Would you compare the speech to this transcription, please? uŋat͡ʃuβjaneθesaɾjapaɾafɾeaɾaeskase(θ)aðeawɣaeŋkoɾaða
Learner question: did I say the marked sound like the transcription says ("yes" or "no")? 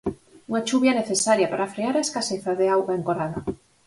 yes